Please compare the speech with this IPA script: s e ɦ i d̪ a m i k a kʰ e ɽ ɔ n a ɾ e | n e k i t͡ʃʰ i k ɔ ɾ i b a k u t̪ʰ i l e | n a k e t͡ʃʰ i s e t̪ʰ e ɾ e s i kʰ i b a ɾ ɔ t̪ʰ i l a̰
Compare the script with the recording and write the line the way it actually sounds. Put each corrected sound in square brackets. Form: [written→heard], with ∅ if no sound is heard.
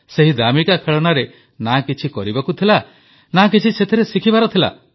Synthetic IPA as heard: s e ɦ i d̪ a m i k a kʰ e [ɽ→ɭ] ɔ n a ɾ e | n [e→a] k i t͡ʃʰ i k ɔ ɾ i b a k u t̪ʰ i l [e→a] | n a k [e→i] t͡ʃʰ i s e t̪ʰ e ɾ e s i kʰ i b a ɾ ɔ t̪ʰ i l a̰